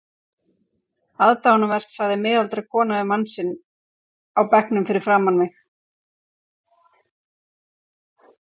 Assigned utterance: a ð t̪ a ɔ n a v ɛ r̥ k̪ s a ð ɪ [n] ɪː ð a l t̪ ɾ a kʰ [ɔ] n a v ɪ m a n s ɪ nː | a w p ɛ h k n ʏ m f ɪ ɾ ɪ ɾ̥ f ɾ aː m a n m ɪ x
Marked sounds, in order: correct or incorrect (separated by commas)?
incorrect, incorrect